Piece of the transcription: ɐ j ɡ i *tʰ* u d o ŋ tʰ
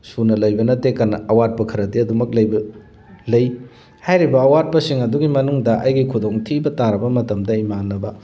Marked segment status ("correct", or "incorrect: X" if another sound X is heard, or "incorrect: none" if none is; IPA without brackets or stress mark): incorrect: kʰ